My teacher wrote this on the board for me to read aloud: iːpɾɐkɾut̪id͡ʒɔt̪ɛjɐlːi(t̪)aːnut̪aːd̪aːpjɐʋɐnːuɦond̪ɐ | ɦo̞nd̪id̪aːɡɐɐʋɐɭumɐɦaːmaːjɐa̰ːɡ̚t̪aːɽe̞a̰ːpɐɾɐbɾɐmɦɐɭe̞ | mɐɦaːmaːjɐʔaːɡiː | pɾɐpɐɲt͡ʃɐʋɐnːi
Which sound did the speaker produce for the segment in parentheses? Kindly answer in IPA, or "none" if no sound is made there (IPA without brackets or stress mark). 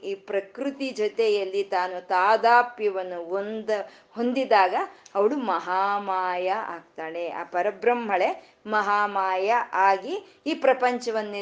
t̪